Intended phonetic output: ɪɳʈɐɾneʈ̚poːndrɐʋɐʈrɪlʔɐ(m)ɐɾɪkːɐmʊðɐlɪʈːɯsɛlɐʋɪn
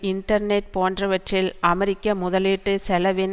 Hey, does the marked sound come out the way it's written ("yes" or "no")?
yes